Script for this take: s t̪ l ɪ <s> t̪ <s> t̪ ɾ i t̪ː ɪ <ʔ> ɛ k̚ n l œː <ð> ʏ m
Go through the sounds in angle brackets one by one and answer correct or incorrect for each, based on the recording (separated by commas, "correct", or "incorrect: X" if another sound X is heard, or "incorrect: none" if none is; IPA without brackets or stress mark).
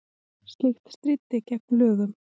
incorrect: x, correct, incorrect: c, incorrect: ɣ